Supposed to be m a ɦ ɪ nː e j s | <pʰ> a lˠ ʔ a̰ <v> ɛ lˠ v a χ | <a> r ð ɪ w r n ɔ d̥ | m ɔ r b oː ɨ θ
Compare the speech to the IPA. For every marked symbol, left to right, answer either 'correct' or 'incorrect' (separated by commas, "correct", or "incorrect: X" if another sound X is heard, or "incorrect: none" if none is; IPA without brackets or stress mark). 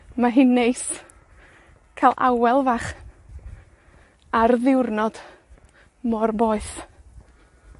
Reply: incorrect: kʰ, incorrect: w, correct